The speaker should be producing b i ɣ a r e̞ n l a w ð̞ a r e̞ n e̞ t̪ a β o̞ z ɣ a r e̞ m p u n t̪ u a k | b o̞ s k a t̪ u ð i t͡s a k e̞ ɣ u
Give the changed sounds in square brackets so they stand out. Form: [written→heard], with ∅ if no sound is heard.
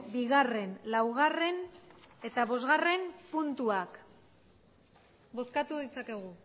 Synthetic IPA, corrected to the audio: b i ɣ a r e̞ n l a w [ð̞→ɣ̞] a r e̞ n e̞ t̪ a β o̞ z ɣ a r e̞ m p u n t̪ u a k | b o̞ s k a t̪ u ð i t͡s a k e̞ ɣ u